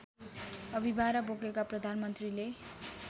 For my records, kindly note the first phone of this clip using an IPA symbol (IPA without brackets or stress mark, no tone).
ʌ